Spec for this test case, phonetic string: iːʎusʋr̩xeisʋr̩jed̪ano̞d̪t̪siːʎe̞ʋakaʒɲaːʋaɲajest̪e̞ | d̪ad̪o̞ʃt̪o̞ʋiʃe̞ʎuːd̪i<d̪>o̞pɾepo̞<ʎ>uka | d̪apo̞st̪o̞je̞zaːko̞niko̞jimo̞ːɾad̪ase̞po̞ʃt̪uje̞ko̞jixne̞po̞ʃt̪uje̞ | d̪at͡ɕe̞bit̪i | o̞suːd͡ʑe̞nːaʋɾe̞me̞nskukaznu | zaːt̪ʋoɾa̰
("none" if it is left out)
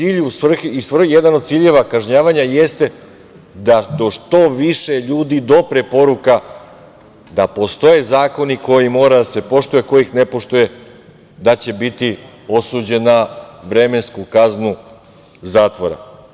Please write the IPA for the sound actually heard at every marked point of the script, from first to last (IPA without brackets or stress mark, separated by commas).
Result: d̪, ɾ